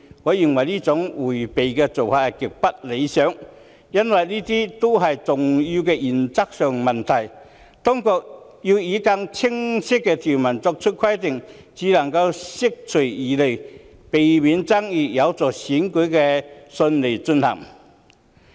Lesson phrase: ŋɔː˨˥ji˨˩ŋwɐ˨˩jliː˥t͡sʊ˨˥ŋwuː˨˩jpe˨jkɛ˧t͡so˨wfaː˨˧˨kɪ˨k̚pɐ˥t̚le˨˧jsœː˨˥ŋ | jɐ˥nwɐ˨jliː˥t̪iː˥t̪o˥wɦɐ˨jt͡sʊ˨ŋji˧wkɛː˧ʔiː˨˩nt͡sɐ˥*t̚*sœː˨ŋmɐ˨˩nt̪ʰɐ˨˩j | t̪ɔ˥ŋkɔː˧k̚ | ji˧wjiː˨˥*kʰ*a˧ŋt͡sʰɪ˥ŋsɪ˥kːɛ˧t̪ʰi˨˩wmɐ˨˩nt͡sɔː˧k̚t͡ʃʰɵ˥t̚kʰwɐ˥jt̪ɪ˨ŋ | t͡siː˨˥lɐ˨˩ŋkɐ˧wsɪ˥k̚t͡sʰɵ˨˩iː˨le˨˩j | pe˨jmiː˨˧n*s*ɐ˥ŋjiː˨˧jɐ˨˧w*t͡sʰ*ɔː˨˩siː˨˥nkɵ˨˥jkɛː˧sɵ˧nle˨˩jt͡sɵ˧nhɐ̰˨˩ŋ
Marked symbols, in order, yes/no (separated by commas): no, no, no, no